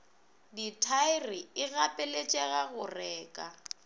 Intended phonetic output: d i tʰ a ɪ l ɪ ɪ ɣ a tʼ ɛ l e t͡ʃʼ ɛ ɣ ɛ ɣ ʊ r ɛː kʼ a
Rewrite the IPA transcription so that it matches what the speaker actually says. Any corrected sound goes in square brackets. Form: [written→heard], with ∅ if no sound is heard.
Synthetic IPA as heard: d i tʰ a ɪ [l→r] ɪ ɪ ɣ a [tʼ→pʼ] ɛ l e t͡ʃʼ ɛ ɣ [ɛ→a] ɣ ʊ r ɛː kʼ a